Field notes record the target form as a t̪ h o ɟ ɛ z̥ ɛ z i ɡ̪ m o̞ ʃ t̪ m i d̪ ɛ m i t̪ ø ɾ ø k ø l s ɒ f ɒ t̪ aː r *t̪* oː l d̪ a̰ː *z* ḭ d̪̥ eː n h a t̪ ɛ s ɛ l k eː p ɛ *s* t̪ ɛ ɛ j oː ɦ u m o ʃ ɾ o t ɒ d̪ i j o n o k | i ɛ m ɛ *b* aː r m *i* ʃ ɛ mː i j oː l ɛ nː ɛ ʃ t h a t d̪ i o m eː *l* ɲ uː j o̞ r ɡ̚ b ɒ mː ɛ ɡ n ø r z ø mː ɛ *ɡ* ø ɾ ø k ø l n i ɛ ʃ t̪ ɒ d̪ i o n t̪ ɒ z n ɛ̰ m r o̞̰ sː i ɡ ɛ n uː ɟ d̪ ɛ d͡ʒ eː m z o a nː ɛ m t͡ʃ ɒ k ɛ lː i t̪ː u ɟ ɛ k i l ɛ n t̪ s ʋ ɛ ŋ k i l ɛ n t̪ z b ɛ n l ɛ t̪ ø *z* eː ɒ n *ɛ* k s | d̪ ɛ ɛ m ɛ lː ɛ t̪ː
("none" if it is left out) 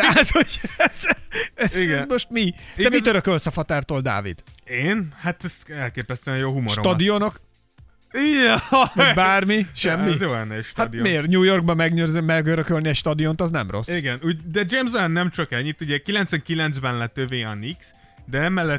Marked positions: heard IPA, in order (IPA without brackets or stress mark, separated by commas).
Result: t̪, v, s, b, i, r, ɡ, v, i